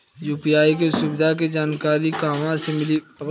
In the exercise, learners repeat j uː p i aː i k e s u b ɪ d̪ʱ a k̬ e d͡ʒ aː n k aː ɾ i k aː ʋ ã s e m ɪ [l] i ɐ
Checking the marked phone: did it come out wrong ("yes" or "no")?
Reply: no